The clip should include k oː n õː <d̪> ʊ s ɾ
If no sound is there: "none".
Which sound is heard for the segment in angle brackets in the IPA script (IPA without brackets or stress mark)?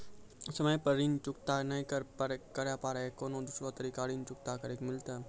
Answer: d̪